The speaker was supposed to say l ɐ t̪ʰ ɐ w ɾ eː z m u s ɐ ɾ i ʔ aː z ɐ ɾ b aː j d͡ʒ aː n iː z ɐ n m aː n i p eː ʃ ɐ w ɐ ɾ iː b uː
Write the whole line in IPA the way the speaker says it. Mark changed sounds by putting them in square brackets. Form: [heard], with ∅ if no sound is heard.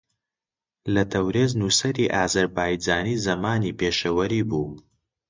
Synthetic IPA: l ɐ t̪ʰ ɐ w ɾ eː z [n] u s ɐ ɾ i ʔ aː z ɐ ɾ b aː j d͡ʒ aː n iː z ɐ [∅] m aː n i p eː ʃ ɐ w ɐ ɾ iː b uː